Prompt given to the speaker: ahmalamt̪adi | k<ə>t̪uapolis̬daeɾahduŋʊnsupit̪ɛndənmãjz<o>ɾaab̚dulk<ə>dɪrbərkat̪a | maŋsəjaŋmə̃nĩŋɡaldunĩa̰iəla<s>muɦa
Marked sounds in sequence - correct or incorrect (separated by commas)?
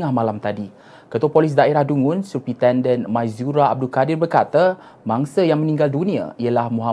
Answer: correct, incorrect, incorrect, incorrect